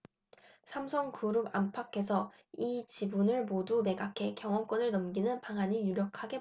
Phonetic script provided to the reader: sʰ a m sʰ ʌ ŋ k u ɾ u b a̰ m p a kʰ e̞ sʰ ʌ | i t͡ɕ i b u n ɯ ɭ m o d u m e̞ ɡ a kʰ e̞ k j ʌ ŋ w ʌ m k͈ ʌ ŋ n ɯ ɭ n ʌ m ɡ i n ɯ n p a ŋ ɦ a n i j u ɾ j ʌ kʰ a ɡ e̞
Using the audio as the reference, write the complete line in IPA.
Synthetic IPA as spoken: sʰ a m sʰ ʌ ŋ k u ɾ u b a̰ m pʰ a kʰ e̞ sʰ ʌ | i t͡ɕ i b u n ɯ ɭ m o d u m e̞ ɡ a kʰ e̞ k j ʌ ŋ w ʌ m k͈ ʌ n ɯ ɭ n ʌ m ɡ i n ɯ n p a ŋ ɦ a ɲ i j u ɾ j ʌ kʰ a ɡ e̞

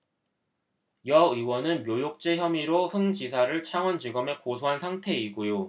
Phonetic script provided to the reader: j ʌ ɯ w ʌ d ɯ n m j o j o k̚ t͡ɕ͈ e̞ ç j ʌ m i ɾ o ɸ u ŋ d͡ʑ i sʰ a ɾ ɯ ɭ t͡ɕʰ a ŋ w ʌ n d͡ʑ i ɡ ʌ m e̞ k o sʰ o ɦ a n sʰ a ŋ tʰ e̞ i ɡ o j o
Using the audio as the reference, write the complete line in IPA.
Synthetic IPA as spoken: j ʌ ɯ w ʌ n ɯ n m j o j o k̚ t͡ɕ͈ e̞ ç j ʌ m i ɾ o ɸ ɯ ŋ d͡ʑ i sʰ a ɾ ɯ ɭ t͡ɕʰ a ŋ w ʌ n d͡ʑ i ɡ ʌ m e̞ k o sʰ o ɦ a n sʰ a ŋ tʰ e̞ i ɡ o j o

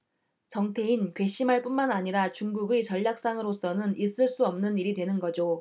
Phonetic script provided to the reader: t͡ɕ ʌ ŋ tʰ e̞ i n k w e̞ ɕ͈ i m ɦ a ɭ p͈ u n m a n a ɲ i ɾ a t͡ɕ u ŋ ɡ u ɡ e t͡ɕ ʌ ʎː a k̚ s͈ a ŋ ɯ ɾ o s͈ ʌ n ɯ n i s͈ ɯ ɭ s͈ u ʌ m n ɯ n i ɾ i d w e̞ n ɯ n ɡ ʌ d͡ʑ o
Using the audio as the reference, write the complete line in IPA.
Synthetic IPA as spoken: t͡ɕ ʌ ŋ tʰ e̞ i n k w e̞ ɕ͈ i m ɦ a ɭ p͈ u n m a n a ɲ i ɾ a t͡ɕ u ŋ ɡ u ɡ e t͡ɕ ʌ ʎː a k̚ s͈ a ŋ ɯ ɾ o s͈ ʌ n ɯ n i s͈ ɯ ɭ s͈ u ʌ m n ɯ n i ɾ i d w e̞ n ɯ n ɡ ʌ d͡ʑ o

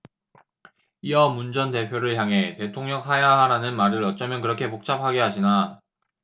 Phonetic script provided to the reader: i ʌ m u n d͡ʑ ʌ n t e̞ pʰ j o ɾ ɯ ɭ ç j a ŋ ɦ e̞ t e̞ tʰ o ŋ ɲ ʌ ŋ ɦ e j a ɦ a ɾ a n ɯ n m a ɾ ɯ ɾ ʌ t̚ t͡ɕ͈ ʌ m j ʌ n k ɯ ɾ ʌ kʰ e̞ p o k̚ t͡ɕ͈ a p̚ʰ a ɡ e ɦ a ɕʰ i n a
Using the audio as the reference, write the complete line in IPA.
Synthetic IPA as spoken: i ʌ m u n d͡ʑ ʌ n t e̞ pʰ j o ɾ ɯ ɭ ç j a ŋ ɦ e̞ t e̞ tʰ o ŋ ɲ ʌ ŋ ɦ a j a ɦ a ɾ a n ɯ n m a ɾ ɯ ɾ ʌ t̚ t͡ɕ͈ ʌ m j ʌ n k ɯ ɾ ʌ kʰ e̞ p o k̚ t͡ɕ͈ a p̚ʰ a ɡ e ɦ a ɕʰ i n a

